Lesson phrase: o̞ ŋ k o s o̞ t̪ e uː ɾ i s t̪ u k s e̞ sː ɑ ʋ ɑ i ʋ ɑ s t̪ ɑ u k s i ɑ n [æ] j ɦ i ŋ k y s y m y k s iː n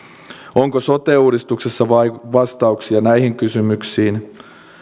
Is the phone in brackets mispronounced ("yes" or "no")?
no